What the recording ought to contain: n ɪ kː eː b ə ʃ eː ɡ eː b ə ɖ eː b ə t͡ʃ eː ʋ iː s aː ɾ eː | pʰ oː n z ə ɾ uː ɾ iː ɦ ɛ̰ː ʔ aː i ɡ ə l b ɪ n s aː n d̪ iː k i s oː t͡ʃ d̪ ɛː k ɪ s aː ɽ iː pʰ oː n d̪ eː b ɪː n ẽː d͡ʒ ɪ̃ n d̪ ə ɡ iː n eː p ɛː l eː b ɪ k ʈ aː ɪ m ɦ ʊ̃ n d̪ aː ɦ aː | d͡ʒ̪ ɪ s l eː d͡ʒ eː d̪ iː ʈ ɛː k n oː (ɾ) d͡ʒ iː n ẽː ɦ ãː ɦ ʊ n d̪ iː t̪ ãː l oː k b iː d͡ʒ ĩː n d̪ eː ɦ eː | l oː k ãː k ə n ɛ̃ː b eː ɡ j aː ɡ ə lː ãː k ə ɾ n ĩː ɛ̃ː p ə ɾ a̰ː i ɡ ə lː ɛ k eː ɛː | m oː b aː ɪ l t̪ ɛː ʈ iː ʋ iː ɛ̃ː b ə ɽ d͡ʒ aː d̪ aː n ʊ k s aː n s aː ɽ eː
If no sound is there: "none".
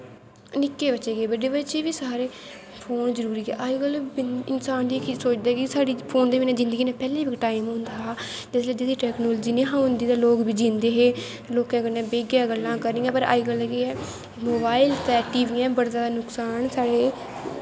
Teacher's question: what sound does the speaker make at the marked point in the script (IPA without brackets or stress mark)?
l